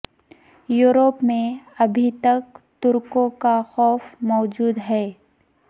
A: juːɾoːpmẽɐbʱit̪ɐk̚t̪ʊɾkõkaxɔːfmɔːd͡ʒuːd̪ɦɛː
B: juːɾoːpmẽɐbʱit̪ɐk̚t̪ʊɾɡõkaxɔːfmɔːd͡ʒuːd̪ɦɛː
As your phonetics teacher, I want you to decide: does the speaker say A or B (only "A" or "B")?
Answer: A